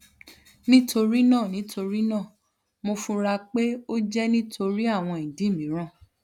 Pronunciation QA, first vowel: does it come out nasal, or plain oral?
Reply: nasal